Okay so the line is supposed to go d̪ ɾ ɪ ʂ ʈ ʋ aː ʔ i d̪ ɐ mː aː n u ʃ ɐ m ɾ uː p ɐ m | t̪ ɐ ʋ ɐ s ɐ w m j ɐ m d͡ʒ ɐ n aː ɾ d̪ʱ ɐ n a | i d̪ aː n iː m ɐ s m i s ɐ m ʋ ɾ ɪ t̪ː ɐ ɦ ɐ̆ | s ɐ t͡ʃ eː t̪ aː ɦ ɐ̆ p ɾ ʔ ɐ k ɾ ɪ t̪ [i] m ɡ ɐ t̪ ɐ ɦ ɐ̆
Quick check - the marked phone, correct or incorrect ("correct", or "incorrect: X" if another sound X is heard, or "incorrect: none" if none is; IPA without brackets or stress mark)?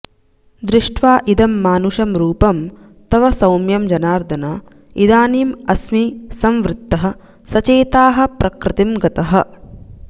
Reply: correct